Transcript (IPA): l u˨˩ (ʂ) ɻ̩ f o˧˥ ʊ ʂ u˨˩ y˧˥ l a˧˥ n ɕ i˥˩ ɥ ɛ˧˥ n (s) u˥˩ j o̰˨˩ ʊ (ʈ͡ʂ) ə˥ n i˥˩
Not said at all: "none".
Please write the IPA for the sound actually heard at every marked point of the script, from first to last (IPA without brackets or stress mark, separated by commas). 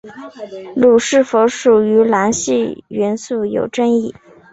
ʂ, s, ʈ͡ʂ